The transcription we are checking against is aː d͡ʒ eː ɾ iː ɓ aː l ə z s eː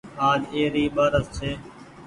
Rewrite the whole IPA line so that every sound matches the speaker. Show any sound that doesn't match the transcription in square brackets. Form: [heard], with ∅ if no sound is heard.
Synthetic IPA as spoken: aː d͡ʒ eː ɾ iː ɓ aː [ɾ] ə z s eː